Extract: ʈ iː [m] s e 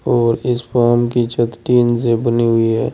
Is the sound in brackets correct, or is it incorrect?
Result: incorrect